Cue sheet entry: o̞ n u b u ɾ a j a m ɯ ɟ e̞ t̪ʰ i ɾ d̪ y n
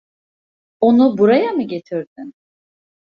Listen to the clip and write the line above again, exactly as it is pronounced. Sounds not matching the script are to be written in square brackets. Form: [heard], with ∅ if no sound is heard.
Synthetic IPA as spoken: o̞ n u b u ɾ a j a m ɯ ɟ e̞ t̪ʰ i ɾ d̪ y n